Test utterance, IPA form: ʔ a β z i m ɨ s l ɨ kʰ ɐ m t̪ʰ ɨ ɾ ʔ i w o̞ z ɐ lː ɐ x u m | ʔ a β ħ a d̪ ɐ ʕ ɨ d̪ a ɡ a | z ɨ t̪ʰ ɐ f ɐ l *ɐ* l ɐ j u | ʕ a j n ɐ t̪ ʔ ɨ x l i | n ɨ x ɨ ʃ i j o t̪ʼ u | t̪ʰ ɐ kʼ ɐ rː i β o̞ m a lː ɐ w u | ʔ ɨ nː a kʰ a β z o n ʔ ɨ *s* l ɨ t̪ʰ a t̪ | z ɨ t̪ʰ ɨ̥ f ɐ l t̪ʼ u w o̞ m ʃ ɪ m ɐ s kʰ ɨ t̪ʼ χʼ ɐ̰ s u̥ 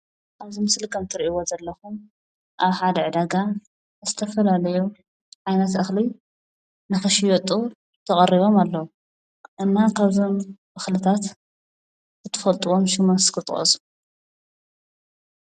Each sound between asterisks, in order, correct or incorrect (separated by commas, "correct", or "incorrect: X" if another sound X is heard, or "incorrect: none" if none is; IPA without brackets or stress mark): incorrect: a, incorrect: x